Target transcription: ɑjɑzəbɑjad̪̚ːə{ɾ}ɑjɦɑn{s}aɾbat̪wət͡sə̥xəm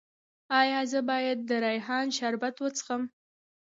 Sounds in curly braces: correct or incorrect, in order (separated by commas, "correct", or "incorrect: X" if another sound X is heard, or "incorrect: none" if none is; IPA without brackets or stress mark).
correct, incorrect: ʃ